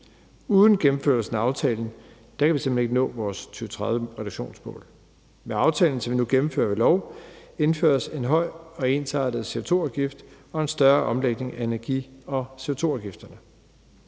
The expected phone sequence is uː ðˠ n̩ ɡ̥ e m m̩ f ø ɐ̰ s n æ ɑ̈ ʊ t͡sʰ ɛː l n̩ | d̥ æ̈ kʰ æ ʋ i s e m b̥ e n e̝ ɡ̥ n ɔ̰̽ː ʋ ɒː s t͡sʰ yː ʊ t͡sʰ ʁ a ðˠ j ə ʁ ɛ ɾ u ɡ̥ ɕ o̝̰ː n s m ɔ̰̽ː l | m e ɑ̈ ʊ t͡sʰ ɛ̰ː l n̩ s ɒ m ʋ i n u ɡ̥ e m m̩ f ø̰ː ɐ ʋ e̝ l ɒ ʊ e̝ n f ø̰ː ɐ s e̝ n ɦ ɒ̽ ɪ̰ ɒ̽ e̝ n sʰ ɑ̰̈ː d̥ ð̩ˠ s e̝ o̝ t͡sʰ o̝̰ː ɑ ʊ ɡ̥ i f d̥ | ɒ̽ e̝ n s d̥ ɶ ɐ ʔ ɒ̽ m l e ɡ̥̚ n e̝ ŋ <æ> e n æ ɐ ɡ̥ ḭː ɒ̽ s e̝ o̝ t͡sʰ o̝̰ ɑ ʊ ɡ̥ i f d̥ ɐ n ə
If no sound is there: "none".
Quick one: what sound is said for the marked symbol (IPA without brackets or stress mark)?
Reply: æ